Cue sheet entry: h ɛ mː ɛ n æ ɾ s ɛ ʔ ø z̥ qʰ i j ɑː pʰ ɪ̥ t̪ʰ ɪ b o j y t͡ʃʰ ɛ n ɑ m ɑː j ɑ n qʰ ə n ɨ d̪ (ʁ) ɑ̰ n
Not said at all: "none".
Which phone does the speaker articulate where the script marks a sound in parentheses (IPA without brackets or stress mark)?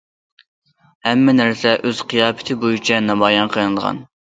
ʁ